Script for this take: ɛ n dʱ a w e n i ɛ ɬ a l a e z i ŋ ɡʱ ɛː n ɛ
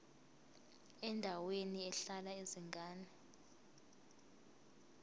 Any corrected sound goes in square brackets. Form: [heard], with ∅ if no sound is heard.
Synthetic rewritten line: ɛ n dʱ a w e n i ɛ ɬ a l a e z i ŋ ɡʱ [aː] n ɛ